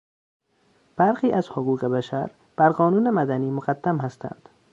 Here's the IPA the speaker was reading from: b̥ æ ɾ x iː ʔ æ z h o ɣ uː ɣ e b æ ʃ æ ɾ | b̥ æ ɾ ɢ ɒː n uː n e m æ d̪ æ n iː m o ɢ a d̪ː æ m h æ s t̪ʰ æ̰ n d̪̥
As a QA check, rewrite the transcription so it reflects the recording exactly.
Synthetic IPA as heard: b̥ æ ɾ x iː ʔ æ z h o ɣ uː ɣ e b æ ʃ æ ɾ | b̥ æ ɾ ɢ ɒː n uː n e m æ d̪ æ n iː m o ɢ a d̪ː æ m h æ s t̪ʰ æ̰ n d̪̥